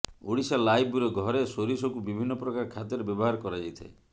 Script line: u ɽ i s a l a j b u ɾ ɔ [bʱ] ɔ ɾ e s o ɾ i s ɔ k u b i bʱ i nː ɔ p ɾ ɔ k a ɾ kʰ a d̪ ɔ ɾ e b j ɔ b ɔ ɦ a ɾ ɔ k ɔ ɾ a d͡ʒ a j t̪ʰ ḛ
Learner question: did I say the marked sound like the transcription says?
no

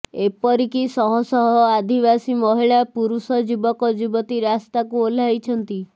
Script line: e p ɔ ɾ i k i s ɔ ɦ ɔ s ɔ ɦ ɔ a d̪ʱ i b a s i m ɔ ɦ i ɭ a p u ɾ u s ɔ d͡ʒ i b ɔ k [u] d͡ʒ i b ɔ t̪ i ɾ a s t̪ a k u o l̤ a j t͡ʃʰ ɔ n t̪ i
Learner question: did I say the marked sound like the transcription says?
no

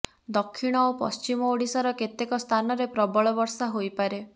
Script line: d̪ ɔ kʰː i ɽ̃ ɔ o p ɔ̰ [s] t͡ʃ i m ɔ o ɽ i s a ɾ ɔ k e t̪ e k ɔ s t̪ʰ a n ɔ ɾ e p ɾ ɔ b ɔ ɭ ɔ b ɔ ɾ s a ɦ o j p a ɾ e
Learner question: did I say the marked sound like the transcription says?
yes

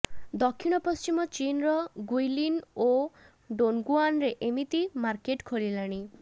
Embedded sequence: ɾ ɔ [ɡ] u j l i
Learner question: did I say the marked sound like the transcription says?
yes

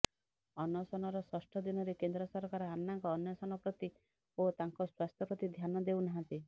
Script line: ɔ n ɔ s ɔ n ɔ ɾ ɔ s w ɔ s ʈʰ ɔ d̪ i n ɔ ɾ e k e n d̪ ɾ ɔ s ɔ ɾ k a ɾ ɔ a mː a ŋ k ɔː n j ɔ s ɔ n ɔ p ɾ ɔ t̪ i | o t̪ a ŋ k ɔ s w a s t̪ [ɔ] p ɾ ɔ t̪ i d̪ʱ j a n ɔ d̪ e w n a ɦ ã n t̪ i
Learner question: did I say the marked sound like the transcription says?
yes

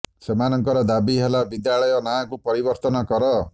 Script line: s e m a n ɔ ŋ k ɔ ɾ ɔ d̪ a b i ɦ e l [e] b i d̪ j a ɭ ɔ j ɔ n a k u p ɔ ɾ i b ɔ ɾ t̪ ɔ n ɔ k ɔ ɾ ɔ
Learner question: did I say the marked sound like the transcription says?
no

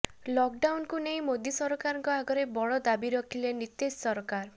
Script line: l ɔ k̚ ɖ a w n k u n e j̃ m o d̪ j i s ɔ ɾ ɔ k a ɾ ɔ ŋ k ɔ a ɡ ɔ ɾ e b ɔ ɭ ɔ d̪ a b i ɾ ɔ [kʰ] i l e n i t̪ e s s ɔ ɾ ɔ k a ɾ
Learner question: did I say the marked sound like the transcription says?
yes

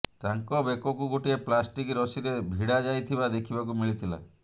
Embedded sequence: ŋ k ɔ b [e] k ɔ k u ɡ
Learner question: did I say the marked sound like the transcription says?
yes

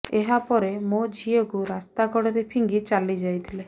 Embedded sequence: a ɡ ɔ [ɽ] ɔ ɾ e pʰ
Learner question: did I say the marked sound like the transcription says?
yes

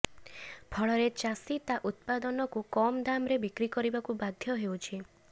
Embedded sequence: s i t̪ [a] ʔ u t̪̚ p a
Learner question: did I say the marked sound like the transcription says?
yes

